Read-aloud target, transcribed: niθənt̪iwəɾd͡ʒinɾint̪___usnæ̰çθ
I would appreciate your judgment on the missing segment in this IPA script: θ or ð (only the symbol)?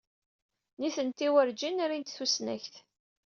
θ